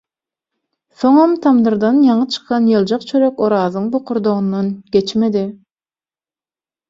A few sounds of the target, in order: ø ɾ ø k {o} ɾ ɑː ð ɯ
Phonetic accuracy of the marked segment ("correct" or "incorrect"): correct